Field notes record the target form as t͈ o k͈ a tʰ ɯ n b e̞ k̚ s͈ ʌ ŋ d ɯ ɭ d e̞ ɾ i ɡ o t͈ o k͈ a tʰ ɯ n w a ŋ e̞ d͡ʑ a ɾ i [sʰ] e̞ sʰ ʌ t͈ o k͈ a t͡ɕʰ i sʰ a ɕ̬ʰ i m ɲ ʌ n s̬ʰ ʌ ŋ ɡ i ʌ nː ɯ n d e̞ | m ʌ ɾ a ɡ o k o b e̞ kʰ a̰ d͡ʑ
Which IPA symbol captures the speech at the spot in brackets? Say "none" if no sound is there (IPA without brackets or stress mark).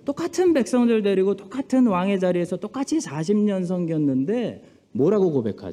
none